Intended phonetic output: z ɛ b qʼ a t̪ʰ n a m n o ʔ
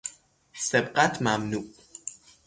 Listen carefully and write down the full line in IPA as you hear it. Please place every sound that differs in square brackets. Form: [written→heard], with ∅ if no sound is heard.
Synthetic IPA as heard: [z→s] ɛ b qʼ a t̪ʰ [n→m] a m n [o→u] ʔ